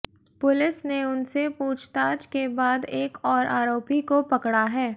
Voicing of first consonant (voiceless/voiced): voiceless